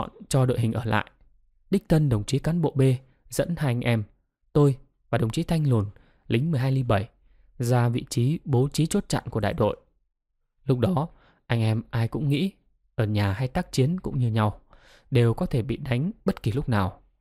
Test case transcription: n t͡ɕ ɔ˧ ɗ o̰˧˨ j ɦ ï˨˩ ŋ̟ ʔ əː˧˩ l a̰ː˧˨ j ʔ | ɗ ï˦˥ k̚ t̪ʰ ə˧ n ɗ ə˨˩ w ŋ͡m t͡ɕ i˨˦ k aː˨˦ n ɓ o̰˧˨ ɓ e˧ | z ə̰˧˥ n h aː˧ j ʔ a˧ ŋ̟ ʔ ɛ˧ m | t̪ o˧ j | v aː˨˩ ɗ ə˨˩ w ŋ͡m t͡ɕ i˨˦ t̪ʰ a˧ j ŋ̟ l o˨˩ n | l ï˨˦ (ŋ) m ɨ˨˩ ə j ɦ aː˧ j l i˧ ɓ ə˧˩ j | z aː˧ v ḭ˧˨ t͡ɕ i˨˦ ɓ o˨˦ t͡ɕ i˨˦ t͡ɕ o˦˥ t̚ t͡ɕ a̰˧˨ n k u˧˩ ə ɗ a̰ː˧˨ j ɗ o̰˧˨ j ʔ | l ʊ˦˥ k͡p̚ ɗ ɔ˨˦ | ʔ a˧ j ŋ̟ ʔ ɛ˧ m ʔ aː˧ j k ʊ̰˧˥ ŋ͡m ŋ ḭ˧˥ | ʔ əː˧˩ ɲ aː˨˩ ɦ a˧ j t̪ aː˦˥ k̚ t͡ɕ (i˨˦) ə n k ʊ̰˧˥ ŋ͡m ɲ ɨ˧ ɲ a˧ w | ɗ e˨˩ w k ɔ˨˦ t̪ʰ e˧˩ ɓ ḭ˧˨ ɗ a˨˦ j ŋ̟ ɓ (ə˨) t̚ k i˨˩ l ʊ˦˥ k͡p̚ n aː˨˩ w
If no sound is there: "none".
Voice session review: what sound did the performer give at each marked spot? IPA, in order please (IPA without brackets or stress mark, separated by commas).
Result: ŋ, i˨˦, ə˦˥